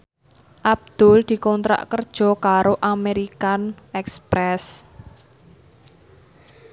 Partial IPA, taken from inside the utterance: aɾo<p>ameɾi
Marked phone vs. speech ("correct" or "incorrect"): incorrect